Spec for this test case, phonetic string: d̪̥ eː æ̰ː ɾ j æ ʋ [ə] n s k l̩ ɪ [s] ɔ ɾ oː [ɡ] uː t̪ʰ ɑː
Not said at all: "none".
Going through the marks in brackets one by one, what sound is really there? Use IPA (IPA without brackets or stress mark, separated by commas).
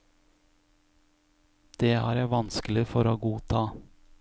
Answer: ɑ, f, ɡ